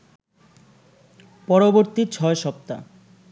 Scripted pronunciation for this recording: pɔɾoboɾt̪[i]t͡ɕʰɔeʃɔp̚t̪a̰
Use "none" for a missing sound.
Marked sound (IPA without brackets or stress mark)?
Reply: i